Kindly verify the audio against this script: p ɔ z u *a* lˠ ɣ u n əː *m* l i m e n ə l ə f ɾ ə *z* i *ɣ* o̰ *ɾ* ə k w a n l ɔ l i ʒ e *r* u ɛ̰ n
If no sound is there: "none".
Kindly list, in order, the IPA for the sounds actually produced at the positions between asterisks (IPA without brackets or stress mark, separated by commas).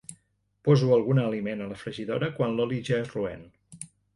ə, none, ʒ, ð, ɾ, r